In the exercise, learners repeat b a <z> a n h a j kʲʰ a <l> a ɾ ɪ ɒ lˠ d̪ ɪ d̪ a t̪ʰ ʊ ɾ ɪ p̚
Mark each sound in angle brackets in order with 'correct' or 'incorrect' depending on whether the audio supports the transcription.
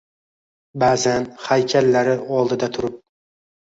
correct, incorrect

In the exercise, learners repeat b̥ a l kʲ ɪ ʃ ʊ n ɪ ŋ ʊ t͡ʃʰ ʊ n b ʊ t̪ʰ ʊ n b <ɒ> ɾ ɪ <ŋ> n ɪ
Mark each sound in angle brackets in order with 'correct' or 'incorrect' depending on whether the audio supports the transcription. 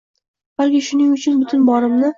correct, incorrect

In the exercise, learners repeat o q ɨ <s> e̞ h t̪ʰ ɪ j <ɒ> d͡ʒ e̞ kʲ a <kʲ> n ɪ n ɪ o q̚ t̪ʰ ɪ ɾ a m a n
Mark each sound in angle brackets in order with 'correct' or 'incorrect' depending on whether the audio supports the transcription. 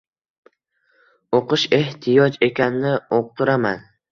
incorrect, correct, incorrect

